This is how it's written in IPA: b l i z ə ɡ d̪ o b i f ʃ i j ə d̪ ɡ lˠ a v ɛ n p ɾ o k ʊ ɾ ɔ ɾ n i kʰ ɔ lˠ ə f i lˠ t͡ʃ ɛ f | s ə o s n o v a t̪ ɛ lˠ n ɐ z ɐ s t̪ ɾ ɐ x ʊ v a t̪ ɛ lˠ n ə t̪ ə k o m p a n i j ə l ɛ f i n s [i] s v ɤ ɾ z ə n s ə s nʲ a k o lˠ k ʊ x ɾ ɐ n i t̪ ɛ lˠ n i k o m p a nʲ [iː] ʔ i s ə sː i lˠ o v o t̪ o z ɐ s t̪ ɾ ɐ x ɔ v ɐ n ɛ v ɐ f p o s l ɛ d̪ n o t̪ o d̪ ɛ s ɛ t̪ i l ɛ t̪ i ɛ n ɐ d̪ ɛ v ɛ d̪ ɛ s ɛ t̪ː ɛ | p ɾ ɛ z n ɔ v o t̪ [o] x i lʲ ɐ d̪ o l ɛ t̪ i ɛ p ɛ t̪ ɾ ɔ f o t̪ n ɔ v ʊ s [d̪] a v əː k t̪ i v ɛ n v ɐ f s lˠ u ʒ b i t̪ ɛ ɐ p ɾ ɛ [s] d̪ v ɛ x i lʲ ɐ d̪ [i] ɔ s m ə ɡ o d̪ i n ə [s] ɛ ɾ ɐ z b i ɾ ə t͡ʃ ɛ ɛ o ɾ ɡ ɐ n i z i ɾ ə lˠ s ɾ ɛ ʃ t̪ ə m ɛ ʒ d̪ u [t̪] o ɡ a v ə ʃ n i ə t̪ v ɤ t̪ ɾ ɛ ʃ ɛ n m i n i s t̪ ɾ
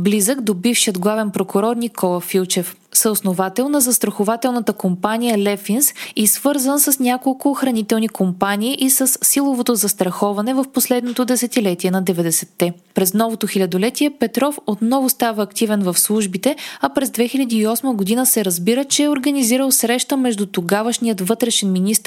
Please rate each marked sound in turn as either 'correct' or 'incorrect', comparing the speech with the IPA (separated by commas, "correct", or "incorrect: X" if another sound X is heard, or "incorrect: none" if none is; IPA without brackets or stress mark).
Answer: correct, correct, correct, incorrect: t̪, incorrect: z, incorrect: iː, correct, correct